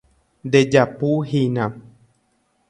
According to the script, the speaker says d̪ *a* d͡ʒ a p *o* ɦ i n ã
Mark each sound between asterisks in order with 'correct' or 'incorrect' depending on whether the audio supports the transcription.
incorrect, incorrect

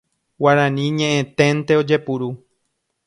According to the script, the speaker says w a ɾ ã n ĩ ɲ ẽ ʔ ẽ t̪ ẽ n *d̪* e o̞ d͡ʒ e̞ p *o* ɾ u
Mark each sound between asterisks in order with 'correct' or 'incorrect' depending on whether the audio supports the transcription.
incorrect, incorrect

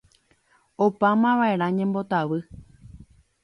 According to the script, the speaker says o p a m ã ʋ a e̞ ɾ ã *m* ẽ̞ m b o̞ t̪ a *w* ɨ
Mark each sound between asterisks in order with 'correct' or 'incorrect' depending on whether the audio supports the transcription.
incorrect, incorrect

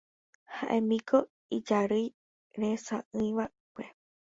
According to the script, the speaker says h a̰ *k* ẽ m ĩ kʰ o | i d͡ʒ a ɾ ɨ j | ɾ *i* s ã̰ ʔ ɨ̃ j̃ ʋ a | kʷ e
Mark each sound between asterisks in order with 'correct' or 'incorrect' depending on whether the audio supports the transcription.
incorrect, incorrect

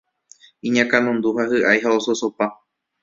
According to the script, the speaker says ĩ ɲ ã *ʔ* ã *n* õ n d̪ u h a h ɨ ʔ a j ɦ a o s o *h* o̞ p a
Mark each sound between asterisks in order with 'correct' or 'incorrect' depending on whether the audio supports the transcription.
incorrect, correct, incorrect

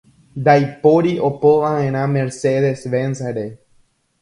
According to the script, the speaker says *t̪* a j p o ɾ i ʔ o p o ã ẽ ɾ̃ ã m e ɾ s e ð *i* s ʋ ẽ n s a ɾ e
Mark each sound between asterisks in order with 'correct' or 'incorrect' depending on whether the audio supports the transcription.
incorrect, incorrect

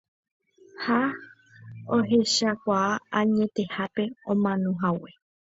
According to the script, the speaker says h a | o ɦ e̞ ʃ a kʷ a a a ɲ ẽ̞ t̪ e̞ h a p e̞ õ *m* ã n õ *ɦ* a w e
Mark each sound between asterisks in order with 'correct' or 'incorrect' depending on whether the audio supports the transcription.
correct, correct

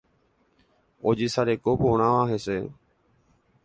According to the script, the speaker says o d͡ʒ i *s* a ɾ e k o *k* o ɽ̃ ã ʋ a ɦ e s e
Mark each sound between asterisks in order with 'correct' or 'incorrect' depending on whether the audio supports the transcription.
correct, incorrect

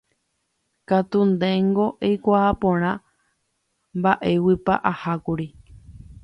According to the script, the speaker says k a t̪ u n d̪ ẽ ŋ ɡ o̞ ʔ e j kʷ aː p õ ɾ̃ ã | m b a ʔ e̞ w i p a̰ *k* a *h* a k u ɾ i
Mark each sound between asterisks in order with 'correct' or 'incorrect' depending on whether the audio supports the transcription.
incorrect, correct

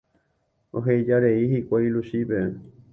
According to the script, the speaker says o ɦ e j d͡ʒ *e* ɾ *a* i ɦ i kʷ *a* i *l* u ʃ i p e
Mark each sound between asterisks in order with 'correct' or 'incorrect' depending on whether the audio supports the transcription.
incorrect, incorrect, correct, correct

